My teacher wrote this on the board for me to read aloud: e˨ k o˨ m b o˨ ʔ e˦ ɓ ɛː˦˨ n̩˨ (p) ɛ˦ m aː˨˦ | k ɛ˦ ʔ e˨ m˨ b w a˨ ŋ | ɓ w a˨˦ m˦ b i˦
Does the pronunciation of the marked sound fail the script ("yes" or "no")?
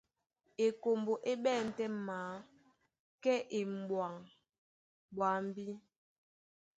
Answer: yes